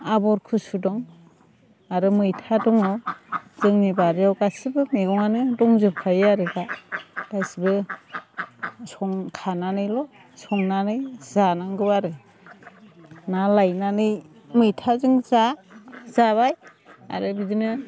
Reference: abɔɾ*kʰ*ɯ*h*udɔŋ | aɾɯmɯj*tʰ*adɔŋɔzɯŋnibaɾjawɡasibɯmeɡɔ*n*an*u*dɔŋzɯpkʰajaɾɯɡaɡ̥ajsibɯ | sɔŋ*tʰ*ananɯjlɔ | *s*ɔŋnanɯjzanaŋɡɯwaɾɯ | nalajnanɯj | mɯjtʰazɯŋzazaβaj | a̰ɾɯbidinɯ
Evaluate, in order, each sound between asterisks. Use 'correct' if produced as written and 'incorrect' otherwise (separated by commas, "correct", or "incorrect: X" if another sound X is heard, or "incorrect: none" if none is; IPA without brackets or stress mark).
correct, incorrect: s, correct, incorrect: ŋ, incorrect: ɯ, incorrect: kʰ, correct